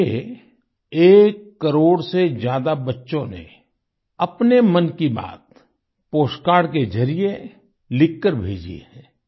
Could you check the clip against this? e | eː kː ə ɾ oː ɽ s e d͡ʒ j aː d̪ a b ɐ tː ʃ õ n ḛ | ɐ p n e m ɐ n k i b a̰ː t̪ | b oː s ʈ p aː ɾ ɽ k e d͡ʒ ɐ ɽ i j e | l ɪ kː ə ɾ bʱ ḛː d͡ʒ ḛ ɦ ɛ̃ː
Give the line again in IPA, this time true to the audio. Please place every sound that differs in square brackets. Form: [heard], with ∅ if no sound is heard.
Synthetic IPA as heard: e | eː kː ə ɾ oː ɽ s e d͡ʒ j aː d̪ a b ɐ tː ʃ õ n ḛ | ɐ p n e m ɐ n k i b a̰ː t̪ | [p] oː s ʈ [k] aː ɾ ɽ k e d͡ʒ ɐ [ɾ] i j e | l ɪ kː ə ɾ bʱ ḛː d͡ʒ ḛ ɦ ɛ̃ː

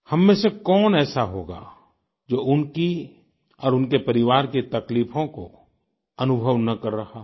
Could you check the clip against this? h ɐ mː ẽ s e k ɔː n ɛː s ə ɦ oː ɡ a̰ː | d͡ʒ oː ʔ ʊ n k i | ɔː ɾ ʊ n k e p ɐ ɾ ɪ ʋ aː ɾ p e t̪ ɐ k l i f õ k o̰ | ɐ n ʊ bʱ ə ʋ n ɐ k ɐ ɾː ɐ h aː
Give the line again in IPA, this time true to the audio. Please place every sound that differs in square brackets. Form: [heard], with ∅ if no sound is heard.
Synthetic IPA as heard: h ɐ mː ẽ s e k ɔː n ɛː s [a] ɦ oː ɡ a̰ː | d͡ʒ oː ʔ ʊ n k i | ɔː ɾ ʊ n k e p ɐ ɾ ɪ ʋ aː ɾ [k] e t̪ ɐ k l [iː] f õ k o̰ | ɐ n ʊ bʱ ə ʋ n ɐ k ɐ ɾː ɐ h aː

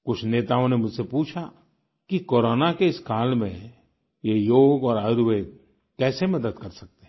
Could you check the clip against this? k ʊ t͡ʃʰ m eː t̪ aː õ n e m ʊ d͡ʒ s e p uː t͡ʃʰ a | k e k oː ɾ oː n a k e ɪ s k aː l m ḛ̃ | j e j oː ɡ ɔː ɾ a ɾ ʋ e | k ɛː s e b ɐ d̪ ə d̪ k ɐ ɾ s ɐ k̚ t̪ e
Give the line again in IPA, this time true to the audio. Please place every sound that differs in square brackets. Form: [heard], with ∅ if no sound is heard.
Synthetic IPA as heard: k ʊ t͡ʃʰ [n] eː t̪ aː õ n e m ʊ d͡ʒ s e p uː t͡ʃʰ a | k [i] k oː ɾ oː n a k e ɪ s k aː l m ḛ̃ | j e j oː ɡ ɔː ɾ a ɾ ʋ e | k ɛː s e [m] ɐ d̪ ə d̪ k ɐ ɾ s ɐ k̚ t̪ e

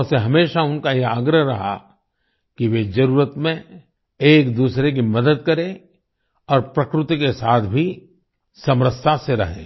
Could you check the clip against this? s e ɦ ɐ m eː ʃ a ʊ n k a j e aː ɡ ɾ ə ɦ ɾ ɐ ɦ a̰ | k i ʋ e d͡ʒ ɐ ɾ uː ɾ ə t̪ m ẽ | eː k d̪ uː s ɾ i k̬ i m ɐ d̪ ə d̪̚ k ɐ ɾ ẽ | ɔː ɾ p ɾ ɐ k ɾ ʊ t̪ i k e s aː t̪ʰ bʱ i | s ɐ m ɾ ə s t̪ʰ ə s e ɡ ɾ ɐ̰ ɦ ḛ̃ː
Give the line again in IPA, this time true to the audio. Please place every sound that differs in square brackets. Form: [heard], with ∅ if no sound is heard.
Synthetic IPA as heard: s e ɦ ɐ m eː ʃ a ʊ n k a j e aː ɡ ɾ ə ɦ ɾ ɐ ɦ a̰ | k i ʋ e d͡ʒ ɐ ɾ uː ɾ ə t̪ m ẽ | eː k d̪ uː s ɾ [e] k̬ i m ɐ d̪ ə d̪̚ k ɐ ɾ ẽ | ɔː ɾ p ɾ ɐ k ɾ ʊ t̪ i k e s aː t̪ʰ bʱ i | s ɐ m ɾ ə s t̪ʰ [a] s e [∅] ɾ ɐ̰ ɦ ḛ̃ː

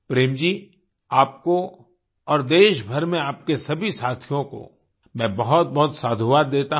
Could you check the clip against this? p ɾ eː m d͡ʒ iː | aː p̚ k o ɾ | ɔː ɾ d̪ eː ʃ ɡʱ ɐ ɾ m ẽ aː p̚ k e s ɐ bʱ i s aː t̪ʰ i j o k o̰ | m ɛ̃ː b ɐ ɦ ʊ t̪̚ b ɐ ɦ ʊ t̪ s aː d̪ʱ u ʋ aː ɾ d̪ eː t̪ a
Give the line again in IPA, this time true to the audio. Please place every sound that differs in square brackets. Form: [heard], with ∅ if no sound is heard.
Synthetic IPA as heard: p ɾ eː m d͡ʒ iː | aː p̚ k o [∅] | ɔː ɾ d̪ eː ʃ [bʱ] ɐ ɾ m ẽ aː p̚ k e s ɐ bʱ i s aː t̪ʰ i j [õ] k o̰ | m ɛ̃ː b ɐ ɦ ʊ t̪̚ b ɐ ɦ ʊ t̪ s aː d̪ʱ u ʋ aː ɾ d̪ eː t̪ a

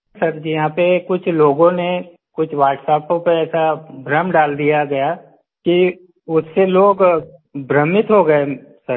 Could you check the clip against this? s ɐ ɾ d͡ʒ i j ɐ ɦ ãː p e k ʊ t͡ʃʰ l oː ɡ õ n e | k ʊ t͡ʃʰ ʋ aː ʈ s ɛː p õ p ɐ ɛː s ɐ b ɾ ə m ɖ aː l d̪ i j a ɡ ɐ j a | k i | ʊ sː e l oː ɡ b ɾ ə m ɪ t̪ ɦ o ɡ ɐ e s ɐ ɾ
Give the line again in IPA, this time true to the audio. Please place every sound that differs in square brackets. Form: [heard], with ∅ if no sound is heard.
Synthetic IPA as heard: s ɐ ɾ d͡ʒ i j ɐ ɦ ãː p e k ʊ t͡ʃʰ l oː ɡ õ n e | k ʊ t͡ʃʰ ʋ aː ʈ s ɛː p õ p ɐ ɛː s [a] b ɾ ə m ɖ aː l d̪ i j a ɡ ɐ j a | k i | ʊ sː e l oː ɡ b ɾ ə m ɪ t̪ ɦ o ɡ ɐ e s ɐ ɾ

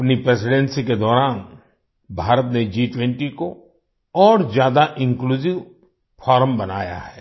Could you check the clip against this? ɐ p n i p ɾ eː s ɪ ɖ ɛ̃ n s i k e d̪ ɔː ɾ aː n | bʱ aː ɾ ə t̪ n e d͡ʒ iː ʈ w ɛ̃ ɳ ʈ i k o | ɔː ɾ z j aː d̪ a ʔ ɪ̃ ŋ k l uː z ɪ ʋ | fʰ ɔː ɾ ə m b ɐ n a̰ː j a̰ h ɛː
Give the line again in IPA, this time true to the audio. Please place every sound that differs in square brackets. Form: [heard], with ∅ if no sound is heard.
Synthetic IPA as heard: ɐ p n i p ɾ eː s ɪ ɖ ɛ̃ n s i k e d̪ ɔː ɾ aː n | bʱ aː ɾ ə t̪ n e d͡ʒ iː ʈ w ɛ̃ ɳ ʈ i k o | ɔː ɾ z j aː d̪ a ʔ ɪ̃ ŋ k l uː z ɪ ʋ | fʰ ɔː ɾ ə m b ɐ n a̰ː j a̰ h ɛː

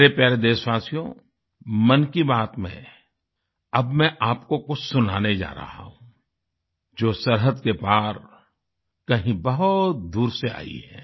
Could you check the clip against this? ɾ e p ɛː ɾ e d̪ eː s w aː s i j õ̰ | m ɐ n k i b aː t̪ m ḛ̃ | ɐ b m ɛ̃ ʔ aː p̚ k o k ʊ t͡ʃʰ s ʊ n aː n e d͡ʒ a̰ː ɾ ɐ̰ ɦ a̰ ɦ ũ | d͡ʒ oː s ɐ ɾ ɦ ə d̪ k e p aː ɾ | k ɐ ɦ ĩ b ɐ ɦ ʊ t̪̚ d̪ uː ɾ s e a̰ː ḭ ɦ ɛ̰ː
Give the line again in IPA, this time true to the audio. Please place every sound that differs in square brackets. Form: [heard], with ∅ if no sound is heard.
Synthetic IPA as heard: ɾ e p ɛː ɾ e d̪ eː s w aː s i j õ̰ | m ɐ n k i b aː t̪ m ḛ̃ | ɐ b m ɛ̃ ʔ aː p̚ k o k ʊ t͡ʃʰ s ʊ n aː n e d͡ʒ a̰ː ɾ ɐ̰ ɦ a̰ ɦ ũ | d͡ʒ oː s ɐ ɾ ɦ ə d̪ k e p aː ɾ | k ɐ ɦ ĩ b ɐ ɦ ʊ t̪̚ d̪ uː ɾ s e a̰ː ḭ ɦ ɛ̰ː

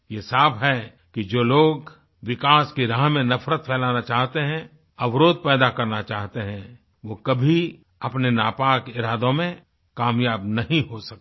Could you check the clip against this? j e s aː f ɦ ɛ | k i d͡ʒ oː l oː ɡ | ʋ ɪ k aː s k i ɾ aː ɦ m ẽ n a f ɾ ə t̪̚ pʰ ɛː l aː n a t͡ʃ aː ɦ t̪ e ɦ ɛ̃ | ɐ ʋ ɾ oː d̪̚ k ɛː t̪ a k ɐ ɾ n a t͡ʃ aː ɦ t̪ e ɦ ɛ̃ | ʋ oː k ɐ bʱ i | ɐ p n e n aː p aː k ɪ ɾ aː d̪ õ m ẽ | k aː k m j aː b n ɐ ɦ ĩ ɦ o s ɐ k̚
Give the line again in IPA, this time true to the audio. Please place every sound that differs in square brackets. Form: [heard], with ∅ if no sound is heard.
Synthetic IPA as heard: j e s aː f ɦ ɛ | k i d͡ʒ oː l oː ɡ | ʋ ɪ k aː s k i ɾ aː ɦ m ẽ n [ɐ] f ɾ ə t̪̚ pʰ ɛː l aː n a t͡ʃ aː ɦ t̪ e ɦ ɛ̃ | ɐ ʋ ɾ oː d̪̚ [p] ɛː [d̪] a k ɐ ɾ n a t͡ʃ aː ɦ t̪ e ɦ ɛ̃ | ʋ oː k ɐ bʱ i | ɐ p n e n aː p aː k ɪ ɾ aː d̪ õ m ẽ | k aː [∅] m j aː b n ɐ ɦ ĩ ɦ o s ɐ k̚

